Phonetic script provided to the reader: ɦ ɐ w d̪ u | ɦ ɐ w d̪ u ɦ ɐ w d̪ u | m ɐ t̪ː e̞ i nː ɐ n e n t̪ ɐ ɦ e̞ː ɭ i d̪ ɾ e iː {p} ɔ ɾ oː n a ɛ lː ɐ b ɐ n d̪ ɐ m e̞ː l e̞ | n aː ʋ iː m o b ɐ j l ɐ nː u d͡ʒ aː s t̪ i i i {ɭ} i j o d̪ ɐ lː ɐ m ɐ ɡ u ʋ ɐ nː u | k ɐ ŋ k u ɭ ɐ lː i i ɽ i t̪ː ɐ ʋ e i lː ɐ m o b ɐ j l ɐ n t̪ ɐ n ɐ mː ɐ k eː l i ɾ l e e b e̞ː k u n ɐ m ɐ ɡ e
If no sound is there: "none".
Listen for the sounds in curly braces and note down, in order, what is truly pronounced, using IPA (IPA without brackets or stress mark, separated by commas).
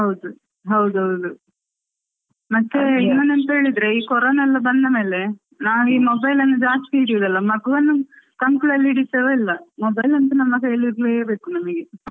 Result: k, ɽ